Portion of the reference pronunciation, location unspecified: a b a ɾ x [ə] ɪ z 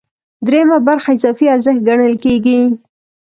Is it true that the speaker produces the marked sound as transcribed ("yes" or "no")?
no